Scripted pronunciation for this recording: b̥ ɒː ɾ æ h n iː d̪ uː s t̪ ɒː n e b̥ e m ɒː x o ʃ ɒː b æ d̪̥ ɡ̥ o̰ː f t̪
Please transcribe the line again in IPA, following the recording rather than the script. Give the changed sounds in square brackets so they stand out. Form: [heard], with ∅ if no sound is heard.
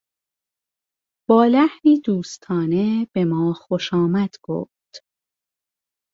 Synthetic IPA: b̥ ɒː [l] æ h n iː d̪ uː s [t̪ʰ] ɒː n e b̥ e m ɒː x o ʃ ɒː [m] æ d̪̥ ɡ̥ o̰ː f t̪